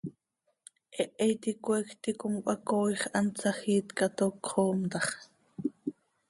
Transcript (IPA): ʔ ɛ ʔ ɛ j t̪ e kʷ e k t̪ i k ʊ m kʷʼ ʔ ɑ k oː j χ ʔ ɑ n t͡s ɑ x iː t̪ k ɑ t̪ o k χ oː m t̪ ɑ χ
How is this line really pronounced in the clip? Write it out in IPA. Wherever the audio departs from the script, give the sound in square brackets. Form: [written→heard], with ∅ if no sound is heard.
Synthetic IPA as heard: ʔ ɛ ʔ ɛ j t̪ [e→i] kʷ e k t̪ i k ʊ m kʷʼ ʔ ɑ k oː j χ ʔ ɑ n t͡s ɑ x iː t̪ k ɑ t̪ o k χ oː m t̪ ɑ χ